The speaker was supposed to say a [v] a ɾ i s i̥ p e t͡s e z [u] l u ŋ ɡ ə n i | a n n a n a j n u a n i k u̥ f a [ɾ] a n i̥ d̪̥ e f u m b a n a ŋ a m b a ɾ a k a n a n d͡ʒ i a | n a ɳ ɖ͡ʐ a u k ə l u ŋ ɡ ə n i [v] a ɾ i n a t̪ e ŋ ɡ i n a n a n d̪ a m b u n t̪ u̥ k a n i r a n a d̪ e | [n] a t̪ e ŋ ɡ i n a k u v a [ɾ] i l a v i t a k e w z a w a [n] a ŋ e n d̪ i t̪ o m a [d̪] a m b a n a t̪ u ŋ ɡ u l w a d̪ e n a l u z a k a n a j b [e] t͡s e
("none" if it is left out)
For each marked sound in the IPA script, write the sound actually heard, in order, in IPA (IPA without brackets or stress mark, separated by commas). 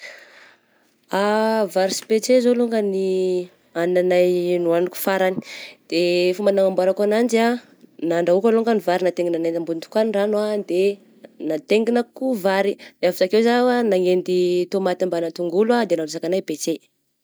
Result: v, o, ɾ, v, n, ɾ, n, t̪, e